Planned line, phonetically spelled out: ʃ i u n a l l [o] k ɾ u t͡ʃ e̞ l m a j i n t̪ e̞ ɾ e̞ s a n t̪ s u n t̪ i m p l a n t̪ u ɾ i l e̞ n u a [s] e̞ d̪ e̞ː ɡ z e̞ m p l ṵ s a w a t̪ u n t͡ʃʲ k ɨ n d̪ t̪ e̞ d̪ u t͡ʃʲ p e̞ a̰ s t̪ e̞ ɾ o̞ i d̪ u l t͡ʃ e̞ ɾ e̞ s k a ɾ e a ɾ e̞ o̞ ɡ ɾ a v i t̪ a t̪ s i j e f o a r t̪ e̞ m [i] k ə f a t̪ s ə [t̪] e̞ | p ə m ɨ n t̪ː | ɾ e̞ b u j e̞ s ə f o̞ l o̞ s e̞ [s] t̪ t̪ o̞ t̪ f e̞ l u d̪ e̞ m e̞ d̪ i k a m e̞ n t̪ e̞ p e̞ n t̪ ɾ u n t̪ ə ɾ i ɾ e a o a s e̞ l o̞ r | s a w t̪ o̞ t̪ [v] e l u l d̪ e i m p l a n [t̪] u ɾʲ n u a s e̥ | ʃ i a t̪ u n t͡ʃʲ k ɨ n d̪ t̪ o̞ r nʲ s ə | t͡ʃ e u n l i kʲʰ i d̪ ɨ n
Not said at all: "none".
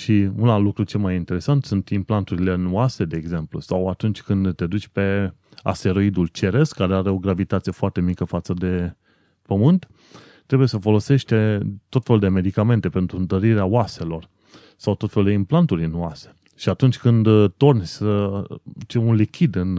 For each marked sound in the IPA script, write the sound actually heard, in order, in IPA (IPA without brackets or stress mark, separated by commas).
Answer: u, s, i, d̪, ʃ, f, t̪